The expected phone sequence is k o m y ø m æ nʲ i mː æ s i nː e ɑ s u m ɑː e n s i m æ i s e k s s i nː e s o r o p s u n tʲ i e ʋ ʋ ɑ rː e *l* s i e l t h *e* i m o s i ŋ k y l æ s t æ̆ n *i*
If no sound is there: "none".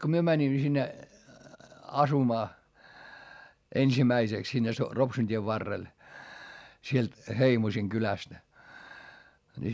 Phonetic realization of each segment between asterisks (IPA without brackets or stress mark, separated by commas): l, e, i